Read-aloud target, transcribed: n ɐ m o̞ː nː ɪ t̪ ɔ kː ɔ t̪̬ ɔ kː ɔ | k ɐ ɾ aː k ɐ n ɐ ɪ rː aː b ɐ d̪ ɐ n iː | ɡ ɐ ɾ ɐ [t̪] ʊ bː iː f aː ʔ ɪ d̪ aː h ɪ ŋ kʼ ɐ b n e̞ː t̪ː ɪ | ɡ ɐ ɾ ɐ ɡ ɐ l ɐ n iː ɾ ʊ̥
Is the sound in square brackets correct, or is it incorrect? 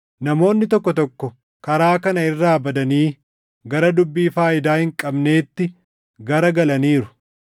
incorrect